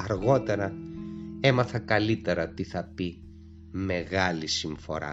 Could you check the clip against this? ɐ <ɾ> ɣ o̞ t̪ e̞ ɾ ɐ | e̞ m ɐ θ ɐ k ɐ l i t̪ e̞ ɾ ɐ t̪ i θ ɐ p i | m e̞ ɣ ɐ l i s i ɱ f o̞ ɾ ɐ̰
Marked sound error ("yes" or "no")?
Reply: no